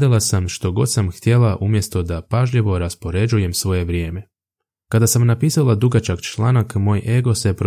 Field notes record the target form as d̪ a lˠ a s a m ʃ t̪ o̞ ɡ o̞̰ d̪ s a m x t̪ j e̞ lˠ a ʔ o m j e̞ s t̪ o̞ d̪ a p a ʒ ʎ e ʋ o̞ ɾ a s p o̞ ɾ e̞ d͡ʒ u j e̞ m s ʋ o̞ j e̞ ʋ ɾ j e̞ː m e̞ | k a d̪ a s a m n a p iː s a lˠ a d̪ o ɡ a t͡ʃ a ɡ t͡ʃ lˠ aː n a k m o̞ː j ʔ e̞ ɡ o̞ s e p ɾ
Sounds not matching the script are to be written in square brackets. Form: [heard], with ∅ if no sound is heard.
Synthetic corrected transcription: d̪ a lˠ a s a m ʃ t̪ o̞ ɡ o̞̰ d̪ s a m x t̪ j e̞ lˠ a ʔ [u] m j e̞ s t̪ o̞ d̪ a p a ʒ ʎ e ʋ o̞ ɾ a s p o̞ ɾ e̞ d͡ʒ u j e̞ m s ʋ o̞ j e̞ ʋ ɾ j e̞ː m e̞ | k a d̪ a s a m n a p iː s a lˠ a d̪ [u] ɡ a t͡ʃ a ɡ t͡ʃ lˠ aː n a k m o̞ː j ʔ e̞ ɡ o̞ s e p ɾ